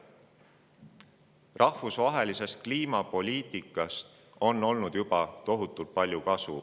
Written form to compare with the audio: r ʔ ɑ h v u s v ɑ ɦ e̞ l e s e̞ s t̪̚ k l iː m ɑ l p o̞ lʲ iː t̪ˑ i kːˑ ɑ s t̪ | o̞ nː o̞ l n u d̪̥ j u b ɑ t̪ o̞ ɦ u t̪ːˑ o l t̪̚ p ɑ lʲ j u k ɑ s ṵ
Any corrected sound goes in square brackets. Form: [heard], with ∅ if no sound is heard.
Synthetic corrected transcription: r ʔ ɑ h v u s v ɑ ɦ e̞ l [i] s e̞ s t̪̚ k l iː m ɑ [∅] p o̞ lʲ iː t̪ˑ i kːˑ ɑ s t̪ | o̞ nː o̞ l n u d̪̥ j u b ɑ t̪ o̞ ɦ u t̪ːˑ [u] l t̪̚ p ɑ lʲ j u k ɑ s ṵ